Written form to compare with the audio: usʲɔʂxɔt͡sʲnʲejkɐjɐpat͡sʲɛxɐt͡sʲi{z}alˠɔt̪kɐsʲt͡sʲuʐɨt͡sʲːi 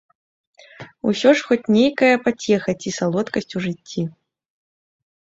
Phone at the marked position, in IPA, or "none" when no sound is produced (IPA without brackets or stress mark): s